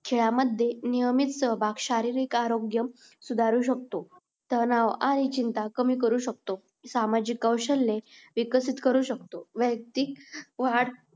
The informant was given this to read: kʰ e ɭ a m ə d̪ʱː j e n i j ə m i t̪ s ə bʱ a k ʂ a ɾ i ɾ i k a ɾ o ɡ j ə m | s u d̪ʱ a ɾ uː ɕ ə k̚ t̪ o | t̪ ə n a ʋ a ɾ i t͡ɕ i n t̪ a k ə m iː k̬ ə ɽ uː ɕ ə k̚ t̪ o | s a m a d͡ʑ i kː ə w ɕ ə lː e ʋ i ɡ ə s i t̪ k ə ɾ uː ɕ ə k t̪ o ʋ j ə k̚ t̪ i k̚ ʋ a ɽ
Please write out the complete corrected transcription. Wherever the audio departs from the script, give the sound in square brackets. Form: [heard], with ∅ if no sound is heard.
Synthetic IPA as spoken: kʰ e ɭ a m ə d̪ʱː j e n i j ə m i t̪ s ə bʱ a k [ɕ] a ɾ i ɾ i k a ɾ o ɡ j ə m | s u d̪ʱ a ɾ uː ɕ ə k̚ t̪ o | t̪ ə n a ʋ a ɾ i t͡ɕ i n t̪ a k ə m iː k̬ ə [ɾ] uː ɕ ə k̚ t̪ o | s a m a d͡ʑ i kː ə w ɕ ə lː e ʋ i [k] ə s i t̪ k ə ɾ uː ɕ ə k t̪ o ʋ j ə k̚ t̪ i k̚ ʋ a ɽ